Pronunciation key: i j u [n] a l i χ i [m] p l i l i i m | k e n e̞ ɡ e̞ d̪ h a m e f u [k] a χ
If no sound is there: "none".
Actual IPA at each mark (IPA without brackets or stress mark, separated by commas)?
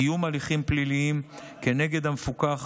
m, m, k